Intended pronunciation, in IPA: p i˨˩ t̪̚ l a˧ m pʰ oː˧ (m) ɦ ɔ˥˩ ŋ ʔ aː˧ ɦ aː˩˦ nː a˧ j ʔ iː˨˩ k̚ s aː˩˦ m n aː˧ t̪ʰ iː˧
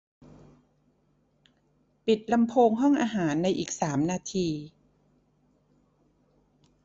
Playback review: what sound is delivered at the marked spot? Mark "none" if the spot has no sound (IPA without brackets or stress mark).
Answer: ŋ